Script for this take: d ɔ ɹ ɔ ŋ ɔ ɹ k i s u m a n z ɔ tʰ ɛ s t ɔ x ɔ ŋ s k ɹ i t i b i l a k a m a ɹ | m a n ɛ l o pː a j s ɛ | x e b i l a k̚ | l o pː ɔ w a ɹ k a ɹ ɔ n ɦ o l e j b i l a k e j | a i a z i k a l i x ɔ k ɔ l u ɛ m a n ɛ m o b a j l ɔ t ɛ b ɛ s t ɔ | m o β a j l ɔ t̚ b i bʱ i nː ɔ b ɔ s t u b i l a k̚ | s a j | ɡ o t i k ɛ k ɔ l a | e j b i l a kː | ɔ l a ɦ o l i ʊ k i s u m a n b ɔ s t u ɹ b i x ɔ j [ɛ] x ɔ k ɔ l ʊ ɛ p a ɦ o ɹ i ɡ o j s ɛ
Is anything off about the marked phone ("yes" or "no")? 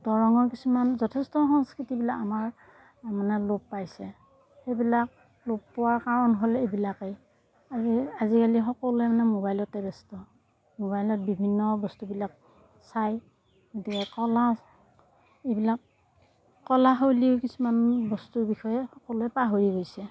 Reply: no